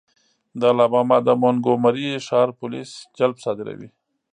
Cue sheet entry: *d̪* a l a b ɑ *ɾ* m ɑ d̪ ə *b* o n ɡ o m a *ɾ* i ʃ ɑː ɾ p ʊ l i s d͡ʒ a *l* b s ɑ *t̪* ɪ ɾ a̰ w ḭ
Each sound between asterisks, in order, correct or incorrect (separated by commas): correct, incorrect, incorrect, correct, correct, incorrect